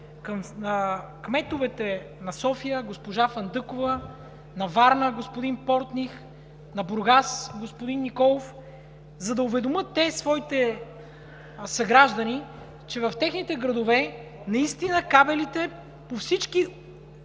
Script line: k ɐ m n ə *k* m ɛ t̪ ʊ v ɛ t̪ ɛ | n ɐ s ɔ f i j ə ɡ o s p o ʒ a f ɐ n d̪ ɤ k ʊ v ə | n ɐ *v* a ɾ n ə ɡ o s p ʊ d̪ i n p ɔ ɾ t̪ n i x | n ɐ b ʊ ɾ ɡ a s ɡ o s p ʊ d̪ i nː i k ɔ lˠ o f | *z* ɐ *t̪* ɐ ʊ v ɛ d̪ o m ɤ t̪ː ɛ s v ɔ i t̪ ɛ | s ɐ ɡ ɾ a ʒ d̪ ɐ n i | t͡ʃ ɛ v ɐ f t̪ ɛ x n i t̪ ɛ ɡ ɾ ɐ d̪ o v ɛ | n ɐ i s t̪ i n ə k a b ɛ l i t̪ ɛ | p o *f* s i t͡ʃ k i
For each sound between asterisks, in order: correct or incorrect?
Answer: correct, correct, correct, incorrect: d̪, correct

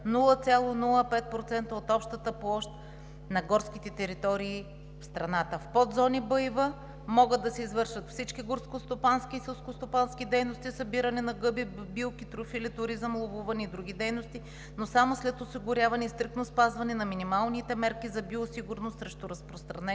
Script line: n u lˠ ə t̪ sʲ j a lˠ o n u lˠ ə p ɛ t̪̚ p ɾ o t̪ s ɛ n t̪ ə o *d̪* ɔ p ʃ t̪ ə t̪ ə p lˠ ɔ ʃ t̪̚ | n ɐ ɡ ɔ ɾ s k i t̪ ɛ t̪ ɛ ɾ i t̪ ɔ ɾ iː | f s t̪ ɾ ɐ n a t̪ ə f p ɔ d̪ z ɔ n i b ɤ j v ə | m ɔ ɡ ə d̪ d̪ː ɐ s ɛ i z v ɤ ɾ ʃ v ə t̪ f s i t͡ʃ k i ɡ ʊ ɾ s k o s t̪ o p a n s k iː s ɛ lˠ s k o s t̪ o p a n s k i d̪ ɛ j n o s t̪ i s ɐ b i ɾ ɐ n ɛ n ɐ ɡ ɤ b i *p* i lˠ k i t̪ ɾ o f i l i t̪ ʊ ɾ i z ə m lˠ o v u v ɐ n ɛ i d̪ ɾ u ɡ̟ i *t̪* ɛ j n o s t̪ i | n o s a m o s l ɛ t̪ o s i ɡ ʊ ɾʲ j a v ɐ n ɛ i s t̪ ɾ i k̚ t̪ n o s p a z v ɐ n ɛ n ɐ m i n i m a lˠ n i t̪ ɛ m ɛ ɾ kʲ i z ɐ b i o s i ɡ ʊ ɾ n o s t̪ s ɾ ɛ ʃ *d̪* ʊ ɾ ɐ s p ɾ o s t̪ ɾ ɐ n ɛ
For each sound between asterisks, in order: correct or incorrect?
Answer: incorrect: t̪, incorrect: b, incorrect: d̪, incorrect: t̪

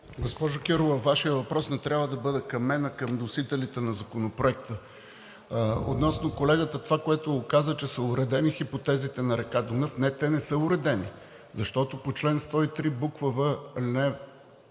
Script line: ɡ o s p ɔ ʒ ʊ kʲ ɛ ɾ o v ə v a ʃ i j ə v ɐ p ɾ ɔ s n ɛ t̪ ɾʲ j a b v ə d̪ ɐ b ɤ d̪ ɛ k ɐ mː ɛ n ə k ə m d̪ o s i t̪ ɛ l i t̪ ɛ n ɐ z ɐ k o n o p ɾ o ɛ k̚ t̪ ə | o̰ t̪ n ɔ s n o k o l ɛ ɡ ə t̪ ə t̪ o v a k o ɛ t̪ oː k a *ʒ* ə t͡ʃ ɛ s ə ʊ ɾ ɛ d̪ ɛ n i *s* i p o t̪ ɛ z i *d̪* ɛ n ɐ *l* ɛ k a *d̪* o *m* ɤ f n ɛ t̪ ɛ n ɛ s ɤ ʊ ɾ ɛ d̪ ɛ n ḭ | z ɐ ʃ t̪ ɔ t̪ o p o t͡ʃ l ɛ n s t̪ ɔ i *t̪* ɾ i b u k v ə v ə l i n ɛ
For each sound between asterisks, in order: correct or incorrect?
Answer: incorrect: z, incorrect: x, incorrect: t̪, incorrect: ɾ, correct, incorrect: n, correct

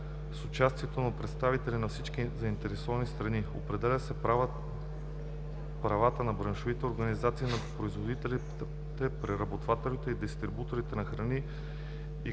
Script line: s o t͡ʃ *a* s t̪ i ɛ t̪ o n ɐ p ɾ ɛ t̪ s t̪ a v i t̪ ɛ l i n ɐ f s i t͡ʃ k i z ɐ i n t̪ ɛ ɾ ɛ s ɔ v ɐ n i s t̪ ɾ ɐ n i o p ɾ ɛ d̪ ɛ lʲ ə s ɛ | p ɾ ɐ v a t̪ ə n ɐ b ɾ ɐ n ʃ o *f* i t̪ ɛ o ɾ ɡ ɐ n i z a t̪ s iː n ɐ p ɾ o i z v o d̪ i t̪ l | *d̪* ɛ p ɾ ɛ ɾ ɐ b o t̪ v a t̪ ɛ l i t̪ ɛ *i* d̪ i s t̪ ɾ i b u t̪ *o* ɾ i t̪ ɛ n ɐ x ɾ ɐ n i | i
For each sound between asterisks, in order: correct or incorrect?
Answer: correct, incorrect: v, incorrect: t̪, correct, correct

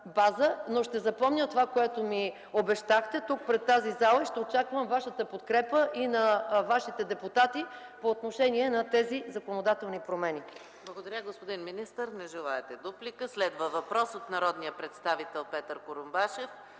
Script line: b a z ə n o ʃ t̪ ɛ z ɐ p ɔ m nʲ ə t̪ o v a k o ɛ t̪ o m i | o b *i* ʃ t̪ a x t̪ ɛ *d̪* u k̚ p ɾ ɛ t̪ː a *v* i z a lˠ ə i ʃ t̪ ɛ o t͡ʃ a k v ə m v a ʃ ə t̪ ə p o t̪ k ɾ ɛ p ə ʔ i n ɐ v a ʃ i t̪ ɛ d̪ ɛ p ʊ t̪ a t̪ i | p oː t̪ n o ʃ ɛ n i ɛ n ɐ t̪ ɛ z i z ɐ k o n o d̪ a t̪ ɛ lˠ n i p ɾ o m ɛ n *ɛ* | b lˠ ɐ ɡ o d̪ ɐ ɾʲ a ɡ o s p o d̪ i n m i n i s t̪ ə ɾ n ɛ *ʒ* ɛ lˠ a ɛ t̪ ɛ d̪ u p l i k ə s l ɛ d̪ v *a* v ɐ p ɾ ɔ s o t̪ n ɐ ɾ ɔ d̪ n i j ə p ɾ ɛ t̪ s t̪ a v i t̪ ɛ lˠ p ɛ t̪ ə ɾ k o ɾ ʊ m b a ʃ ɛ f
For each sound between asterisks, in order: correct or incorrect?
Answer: incorrect: ɛ, incorrect: t̪, incorrect: z, incorrect: i, correct, incorrect: ə

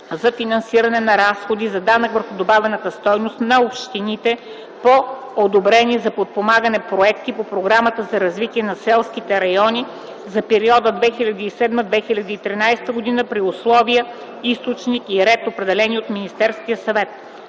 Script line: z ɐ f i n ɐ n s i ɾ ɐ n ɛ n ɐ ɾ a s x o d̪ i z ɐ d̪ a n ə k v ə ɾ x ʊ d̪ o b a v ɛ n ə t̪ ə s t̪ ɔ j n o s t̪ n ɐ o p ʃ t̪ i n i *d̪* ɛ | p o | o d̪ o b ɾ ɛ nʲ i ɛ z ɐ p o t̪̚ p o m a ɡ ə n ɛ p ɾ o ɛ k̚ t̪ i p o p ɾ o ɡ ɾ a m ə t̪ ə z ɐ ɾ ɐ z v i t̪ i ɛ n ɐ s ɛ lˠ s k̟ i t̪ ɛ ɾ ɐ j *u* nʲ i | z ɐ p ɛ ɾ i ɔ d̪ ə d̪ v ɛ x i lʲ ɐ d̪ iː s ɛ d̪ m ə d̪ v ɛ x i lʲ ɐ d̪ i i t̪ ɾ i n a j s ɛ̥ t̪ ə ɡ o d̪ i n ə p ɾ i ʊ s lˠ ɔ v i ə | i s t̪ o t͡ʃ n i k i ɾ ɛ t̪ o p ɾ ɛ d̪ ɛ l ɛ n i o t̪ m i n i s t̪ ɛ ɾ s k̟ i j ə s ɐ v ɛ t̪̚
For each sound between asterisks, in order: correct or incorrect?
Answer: incorrect: t̪, incorrect: ɔ

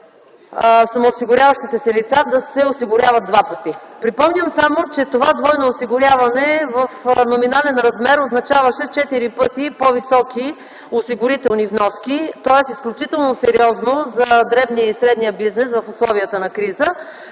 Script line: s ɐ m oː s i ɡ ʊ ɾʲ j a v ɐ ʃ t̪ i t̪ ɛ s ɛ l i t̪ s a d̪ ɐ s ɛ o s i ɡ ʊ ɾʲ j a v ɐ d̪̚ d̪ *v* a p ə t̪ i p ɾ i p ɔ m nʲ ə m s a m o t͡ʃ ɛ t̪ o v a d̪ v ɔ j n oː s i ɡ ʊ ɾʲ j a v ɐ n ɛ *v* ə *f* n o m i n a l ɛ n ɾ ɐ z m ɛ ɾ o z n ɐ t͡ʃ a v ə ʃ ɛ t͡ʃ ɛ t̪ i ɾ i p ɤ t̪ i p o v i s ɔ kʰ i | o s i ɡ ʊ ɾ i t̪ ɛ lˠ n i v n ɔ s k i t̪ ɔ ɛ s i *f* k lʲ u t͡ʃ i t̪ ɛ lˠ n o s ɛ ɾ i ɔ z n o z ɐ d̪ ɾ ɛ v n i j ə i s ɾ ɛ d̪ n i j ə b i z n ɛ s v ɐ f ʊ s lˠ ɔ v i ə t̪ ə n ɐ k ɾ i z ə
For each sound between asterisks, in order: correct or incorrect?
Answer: correct, correct, correct, incorrect: s

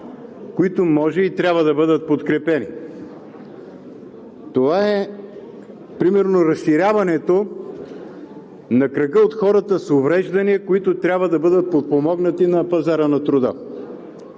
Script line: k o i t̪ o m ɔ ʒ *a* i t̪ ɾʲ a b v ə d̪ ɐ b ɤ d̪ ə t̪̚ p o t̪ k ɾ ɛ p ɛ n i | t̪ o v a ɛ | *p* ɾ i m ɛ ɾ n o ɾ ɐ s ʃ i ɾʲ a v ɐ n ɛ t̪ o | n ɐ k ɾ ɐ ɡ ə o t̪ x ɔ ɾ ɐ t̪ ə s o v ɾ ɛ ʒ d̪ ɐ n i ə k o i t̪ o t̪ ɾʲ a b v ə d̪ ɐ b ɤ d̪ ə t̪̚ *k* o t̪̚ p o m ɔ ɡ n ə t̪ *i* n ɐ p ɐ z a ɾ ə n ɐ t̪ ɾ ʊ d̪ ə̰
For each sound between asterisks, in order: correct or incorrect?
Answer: incorrect: ɛ, correct, incorrect: p, correct

